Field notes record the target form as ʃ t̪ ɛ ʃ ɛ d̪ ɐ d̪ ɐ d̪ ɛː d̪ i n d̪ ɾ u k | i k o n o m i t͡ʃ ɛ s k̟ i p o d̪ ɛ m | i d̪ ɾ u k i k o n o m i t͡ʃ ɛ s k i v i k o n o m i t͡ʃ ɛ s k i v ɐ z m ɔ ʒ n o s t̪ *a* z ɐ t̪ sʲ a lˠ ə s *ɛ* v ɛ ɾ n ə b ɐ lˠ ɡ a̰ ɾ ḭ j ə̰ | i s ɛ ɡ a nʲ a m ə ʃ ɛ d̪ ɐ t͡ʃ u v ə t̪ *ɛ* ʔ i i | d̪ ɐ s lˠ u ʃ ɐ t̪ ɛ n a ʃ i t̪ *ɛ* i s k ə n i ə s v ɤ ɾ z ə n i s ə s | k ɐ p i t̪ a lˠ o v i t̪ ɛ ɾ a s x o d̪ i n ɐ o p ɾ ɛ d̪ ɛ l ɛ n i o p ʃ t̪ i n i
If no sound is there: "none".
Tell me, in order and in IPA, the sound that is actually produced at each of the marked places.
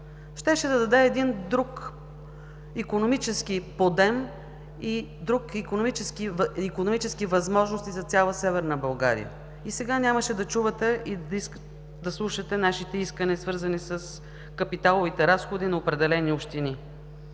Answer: i, ɛ, ɛ, ɛ

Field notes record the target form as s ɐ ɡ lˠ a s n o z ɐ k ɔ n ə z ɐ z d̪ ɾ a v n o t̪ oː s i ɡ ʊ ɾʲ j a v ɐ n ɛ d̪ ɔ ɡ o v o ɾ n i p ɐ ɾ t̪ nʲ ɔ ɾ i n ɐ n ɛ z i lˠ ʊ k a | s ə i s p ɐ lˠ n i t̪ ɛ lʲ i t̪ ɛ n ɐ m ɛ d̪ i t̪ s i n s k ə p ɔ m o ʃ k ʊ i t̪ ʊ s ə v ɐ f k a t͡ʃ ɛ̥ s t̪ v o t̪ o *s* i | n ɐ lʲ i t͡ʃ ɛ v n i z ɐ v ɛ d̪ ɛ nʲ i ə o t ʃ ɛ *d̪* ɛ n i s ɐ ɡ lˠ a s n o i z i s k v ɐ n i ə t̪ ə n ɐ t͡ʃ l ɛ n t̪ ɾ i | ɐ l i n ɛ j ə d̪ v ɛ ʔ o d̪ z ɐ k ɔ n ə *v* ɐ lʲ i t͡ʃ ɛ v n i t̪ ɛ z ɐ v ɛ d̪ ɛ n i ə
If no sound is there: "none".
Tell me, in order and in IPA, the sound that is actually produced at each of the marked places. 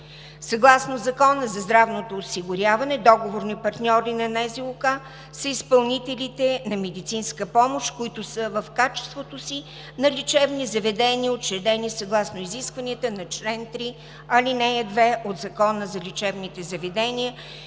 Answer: s, d̪, z

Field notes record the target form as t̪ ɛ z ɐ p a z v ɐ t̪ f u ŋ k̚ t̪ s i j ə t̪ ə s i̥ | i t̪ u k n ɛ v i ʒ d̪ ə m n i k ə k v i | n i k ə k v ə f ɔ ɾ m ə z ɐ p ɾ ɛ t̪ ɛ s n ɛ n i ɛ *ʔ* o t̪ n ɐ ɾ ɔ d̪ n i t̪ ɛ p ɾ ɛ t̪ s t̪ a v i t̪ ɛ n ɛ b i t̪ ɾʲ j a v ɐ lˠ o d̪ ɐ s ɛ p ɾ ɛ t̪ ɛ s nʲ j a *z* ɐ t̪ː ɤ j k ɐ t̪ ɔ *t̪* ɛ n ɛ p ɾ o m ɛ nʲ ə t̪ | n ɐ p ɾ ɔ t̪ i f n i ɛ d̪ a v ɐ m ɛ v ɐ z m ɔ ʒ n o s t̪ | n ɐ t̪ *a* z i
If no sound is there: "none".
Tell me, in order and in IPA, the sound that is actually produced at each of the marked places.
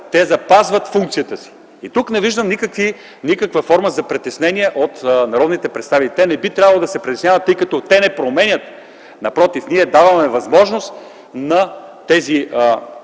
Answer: ʔ, v, t̪, ɛ

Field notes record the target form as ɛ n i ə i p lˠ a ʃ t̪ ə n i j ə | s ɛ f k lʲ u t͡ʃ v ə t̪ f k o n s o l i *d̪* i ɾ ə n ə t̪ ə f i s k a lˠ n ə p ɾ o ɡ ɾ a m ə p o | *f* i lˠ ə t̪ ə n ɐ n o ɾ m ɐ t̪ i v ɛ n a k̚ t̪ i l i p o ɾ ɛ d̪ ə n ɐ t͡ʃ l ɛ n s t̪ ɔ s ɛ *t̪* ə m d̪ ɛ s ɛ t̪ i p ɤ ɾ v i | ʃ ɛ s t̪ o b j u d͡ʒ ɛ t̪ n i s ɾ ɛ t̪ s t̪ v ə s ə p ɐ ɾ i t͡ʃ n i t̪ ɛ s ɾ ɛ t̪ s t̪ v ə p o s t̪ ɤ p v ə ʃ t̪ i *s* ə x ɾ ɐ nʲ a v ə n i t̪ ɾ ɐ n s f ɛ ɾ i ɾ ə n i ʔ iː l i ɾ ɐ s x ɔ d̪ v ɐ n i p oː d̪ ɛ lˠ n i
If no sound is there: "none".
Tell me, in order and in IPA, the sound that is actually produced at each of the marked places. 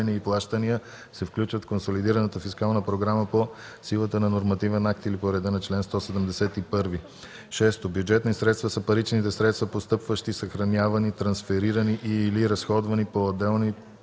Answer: d̪, s, d̪, s

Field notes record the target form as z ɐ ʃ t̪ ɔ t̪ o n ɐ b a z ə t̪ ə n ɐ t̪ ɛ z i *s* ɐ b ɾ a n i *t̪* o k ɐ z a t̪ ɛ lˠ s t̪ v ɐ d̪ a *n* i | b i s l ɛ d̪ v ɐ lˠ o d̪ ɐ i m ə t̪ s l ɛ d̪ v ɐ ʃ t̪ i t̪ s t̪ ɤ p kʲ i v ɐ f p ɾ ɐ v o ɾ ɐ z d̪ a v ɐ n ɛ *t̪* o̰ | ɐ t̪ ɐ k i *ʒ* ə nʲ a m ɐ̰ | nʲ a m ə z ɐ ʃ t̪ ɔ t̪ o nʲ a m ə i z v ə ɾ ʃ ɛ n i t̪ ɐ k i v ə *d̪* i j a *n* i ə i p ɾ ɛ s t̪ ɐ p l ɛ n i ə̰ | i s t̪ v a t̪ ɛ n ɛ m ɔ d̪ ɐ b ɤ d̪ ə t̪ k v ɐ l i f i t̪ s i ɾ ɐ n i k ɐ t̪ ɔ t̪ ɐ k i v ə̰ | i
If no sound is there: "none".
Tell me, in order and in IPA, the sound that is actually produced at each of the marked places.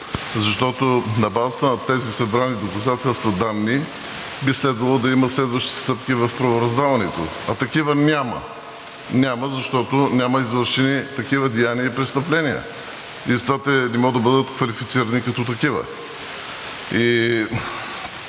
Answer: s, d̪, nː, t̪, v, d̪, n

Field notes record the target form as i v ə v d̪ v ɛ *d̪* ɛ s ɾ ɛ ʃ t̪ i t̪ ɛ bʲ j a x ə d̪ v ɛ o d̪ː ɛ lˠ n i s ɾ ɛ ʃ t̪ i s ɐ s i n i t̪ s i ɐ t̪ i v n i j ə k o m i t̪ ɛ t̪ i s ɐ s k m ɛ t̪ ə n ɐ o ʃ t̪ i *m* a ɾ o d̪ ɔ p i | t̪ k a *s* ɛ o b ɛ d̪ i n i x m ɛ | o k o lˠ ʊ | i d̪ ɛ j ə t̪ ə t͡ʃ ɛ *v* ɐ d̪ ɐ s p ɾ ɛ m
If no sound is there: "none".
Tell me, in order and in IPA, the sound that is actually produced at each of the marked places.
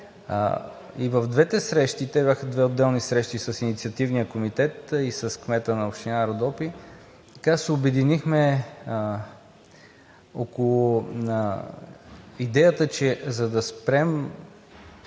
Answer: t̪, n, s, z

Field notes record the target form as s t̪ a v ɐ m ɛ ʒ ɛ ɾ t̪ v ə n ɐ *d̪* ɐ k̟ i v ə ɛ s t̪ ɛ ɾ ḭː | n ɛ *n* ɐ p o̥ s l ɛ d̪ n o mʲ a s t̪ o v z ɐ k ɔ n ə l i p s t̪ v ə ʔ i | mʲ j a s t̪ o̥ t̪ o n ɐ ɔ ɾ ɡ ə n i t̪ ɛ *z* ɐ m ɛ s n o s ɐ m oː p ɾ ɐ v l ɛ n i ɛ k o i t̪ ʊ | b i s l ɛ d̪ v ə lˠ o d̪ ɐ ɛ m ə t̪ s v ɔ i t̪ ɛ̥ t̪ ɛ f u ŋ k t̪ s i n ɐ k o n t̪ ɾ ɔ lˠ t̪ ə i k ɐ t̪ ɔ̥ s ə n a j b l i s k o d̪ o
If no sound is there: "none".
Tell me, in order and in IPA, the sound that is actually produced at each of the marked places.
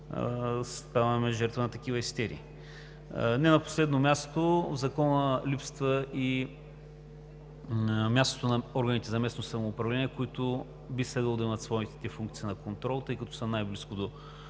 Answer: t̪, n, z

